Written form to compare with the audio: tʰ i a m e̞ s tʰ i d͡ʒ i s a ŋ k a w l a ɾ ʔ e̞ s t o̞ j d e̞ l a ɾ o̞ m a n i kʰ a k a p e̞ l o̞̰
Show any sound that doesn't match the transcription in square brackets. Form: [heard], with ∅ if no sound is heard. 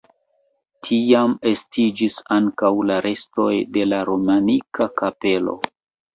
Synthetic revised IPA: tʰ i a m e̞ s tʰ i d͡ʒ i s a ŋ k a w l a ɾ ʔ e̞ s t o̞ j d e̞ l a ɾ o̞ m a n i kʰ a k a p e̞ l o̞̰